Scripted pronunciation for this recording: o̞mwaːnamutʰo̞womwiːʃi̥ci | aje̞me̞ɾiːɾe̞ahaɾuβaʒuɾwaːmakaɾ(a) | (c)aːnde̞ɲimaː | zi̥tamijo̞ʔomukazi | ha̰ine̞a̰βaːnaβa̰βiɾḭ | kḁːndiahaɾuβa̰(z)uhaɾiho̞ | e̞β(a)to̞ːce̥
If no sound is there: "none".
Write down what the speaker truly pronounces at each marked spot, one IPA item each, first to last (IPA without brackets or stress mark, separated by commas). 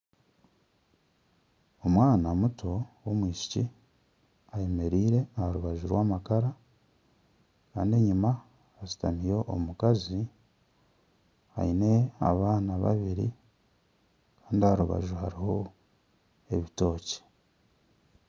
a, k, ʒ, i